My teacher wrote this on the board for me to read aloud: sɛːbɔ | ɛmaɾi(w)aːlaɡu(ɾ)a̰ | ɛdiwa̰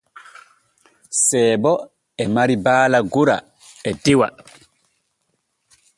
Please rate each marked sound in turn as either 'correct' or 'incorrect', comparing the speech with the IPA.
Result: incorrect: b, correct

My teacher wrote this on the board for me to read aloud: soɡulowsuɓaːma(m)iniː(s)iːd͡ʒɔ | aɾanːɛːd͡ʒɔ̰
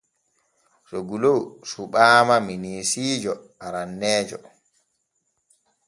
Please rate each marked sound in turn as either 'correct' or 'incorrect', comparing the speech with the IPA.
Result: correct, correct

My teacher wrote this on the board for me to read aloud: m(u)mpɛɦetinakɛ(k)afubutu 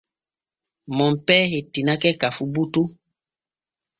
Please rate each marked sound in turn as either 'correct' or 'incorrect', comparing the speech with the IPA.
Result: incorrect: ɔ, correct

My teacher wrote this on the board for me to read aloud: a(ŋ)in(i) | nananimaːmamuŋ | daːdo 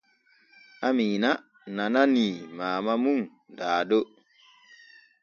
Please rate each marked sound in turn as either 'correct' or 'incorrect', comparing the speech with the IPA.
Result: incorrect: m, incorrect: a

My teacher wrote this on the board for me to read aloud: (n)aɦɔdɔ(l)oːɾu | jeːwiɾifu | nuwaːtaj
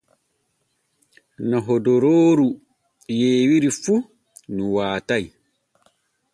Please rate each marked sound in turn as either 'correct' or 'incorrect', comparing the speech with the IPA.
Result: correct, incorrect: ɾ

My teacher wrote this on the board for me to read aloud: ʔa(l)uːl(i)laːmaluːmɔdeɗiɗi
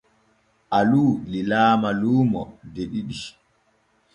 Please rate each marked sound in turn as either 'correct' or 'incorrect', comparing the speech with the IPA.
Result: correct, correct

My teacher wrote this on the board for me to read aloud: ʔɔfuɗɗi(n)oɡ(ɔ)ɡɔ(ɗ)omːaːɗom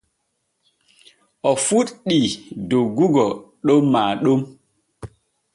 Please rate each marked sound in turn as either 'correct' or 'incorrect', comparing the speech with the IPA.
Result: incorrect: d, incorrect: u, correct

